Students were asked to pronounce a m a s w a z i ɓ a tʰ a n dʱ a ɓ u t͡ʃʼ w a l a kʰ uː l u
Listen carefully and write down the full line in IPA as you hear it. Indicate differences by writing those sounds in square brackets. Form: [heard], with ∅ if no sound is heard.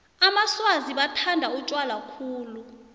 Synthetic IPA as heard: a m a s w a z i ɓ a tʰ a n dʱ a [∅] u t͡ʃʼ w a l a kʰ uː l u